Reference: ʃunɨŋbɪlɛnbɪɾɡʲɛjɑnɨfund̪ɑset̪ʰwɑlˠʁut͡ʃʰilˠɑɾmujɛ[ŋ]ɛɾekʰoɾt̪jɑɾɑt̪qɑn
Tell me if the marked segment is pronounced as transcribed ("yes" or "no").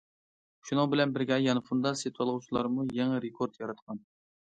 yes